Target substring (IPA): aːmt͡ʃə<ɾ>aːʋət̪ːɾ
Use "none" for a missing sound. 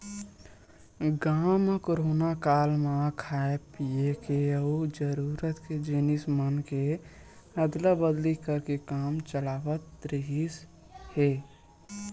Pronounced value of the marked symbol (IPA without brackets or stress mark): l